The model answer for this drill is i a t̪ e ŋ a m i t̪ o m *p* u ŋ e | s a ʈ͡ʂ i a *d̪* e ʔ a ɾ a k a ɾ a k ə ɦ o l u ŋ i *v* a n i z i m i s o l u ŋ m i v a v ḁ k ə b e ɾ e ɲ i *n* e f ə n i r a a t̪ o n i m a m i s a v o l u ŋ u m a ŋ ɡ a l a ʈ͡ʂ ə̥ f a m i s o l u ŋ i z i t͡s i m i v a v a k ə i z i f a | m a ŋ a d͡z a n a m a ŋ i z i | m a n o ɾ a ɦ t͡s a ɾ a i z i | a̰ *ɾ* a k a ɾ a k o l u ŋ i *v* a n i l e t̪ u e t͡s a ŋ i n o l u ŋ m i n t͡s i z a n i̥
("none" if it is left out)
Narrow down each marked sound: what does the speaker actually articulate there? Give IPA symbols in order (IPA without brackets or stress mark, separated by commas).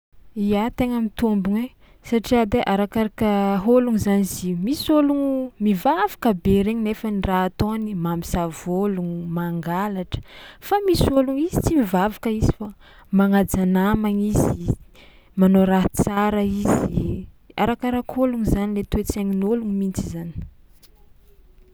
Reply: b, d̪, z, n, ɾ, z